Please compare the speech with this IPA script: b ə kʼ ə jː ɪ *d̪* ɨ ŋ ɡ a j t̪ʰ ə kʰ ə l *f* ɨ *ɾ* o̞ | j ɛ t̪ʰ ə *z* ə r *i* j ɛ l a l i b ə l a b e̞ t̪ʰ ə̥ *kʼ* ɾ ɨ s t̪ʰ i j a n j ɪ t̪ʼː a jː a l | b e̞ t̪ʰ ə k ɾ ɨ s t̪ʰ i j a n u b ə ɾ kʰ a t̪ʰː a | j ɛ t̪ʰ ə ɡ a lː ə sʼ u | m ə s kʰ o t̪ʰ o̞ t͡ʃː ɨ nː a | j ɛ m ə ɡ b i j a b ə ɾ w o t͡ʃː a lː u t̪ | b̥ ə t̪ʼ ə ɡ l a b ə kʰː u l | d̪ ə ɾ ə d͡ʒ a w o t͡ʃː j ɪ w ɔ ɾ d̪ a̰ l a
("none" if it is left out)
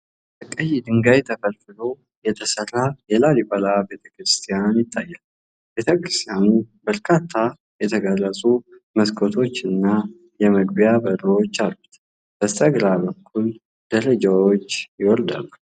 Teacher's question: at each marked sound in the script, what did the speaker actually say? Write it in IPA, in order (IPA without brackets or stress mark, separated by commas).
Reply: d̪, f, l, s, a, k